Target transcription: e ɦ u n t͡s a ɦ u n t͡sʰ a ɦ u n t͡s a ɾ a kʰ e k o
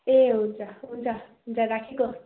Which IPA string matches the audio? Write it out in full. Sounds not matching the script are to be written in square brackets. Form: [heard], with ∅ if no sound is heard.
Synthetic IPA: e ɦ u n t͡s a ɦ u n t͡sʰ a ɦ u n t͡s a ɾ a kʰ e k o